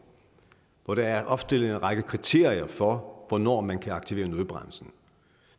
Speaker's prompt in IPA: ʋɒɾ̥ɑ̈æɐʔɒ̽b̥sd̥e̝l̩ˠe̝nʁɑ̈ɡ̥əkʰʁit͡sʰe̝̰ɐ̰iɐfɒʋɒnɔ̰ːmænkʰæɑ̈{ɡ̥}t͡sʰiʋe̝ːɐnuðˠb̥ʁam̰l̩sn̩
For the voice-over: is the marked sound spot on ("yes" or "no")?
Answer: yes